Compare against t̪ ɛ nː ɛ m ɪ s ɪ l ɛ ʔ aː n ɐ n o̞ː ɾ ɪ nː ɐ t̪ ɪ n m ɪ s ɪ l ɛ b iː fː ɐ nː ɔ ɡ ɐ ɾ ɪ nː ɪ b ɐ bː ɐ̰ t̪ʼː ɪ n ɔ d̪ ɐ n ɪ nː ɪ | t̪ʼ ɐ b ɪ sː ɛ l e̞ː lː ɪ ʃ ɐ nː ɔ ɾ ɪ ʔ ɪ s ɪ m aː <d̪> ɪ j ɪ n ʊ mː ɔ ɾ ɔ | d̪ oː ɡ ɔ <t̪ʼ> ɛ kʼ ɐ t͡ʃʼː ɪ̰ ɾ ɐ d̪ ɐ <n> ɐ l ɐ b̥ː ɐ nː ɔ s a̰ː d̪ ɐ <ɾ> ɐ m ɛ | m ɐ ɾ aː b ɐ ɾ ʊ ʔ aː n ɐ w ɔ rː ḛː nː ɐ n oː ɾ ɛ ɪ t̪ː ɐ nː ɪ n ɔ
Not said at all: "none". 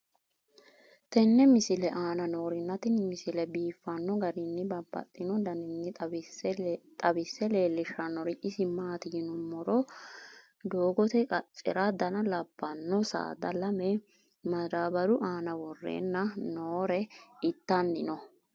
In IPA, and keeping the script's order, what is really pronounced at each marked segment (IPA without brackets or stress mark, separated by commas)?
t̪, t̪, n, l